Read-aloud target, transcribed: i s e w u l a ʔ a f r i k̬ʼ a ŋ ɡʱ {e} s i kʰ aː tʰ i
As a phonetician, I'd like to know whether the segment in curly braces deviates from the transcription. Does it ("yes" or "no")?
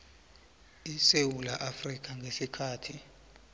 no